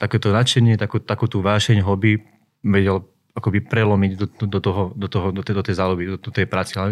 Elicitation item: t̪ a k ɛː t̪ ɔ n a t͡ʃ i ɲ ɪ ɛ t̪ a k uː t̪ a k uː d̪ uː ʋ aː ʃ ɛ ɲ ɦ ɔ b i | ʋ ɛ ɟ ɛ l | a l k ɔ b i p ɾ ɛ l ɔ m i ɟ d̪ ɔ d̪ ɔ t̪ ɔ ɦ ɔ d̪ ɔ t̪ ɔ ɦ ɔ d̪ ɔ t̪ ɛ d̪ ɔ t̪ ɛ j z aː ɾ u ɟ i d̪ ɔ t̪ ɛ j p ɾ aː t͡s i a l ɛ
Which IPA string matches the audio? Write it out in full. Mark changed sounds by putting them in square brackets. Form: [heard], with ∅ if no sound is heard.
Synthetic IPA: t̪ a k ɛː t̪ ɔ n a t͡ʃ [ɛ] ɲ ɪ ɛ t̪ a k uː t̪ a k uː [t̪] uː ʋ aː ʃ ɛ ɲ ɦ ɔ b i | ʋ ɛ ɟ ɛ l | a [∅] k ɔ b i p ɾ ɛ l ɔ m i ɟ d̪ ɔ d̪ ɔ t̪ ɔ ɦ ɔ d̪ ɔ t̪ ɔ ɦ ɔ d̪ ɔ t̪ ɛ d̪ ɔ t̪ ɛ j z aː [l] u [b] i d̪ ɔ t̪ ɛ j p ɾ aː t͡s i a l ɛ